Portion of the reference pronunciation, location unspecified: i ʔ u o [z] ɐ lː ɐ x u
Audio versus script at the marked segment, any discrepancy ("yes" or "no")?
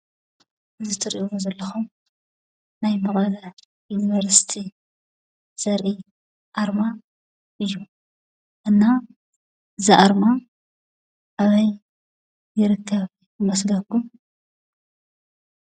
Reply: no